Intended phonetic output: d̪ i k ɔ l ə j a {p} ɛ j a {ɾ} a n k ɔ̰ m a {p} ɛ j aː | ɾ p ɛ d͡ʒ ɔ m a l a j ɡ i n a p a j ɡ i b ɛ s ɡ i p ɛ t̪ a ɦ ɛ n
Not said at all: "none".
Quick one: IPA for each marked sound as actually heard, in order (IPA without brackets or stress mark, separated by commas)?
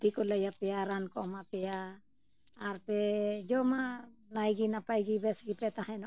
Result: p, ɾ, p